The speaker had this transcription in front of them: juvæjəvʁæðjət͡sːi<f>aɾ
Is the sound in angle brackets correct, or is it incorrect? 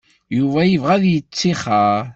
incorrect